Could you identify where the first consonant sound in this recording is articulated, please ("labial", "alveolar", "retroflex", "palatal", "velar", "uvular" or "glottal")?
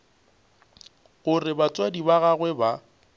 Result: velar